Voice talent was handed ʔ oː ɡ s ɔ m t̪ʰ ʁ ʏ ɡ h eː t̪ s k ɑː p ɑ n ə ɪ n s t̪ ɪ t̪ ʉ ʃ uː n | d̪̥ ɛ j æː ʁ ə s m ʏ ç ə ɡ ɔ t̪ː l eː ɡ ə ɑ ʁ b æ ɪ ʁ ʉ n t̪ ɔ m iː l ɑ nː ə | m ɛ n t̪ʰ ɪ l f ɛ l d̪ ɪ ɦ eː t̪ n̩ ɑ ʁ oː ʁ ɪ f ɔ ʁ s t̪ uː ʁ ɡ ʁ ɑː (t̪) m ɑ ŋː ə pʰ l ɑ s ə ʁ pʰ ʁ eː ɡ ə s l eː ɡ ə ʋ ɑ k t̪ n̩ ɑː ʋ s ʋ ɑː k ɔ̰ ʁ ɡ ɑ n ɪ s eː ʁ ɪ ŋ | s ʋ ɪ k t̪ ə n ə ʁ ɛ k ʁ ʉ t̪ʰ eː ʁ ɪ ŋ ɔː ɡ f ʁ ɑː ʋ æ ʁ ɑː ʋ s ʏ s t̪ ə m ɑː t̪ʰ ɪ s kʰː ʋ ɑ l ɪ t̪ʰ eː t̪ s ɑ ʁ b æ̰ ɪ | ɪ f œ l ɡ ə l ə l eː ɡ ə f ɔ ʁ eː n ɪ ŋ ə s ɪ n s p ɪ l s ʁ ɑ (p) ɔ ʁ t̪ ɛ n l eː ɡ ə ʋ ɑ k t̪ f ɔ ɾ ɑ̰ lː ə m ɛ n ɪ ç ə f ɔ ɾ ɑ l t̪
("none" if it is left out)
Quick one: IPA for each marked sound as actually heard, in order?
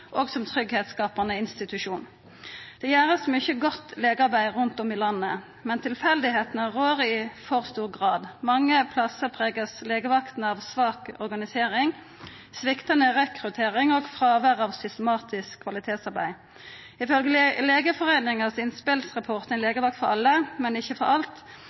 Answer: d̪, pʰ

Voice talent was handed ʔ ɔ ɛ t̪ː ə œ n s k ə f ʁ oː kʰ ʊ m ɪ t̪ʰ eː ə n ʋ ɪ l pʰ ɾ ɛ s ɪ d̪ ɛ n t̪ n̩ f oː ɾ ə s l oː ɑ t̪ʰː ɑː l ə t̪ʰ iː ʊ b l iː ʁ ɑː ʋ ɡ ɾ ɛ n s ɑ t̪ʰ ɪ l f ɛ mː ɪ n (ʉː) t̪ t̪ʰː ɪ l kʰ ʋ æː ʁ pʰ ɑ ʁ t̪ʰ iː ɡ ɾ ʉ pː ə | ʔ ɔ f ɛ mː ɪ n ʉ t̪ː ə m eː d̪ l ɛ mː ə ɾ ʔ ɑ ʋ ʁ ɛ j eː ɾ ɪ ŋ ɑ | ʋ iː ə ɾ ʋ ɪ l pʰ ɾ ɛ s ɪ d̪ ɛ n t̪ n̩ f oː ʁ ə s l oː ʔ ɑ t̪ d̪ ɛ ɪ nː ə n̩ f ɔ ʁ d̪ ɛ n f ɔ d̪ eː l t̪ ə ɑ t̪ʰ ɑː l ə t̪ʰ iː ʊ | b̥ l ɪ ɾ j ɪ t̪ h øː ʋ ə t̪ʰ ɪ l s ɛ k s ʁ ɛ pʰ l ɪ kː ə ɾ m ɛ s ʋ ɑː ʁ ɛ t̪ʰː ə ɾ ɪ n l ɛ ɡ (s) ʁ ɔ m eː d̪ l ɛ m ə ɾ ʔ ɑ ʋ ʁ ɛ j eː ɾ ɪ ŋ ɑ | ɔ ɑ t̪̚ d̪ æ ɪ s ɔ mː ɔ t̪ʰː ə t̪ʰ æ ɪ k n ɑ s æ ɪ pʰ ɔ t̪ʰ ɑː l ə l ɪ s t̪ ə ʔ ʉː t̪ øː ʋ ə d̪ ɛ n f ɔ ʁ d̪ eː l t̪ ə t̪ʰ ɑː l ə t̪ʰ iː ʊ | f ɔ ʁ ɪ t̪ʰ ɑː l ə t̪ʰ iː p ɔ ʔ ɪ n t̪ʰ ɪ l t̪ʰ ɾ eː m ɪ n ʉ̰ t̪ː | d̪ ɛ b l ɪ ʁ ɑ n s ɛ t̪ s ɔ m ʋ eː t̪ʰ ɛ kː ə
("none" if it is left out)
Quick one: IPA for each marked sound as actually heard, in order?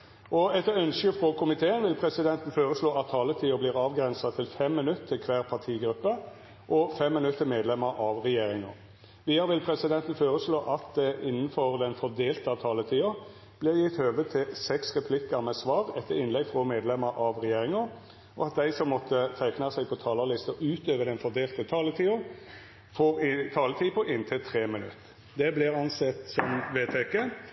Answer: ʉ, f

